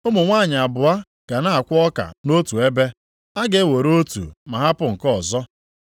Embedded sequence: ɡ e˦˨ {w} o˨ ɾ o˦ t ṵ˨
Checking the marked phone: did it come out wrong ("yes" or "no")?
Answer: no